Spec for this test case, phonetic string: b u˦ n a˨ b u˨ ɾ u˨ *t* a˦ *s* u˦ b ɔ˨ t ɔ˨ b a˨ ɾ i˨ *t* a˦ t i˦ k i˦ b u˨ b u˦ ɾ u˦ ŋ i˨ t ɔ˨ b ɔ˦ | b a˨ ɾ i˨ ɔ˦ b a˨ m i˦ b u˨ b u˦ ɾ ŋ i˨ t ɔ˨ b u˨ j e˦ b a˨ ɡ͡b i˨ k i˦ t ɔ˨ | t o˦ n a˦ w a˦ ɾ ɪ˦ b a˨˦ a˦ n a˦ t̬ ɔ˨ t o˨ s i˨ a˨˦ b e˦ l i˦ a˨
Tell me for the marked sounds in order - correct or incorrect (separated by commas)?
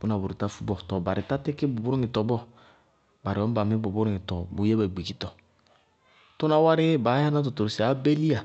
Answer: correct, incorrect, correct